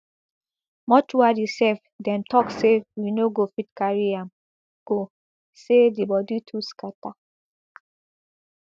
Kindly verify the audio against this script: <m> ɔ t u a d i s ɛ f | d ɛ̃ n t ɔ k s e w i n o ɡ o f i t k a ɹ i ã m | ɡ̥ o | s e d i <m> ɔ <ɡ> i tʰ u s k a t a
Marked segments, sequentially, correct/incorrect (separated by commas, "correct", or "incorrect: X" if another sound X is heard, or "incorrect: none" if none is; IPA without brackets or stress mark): correct, incorrect: b, incorrect: d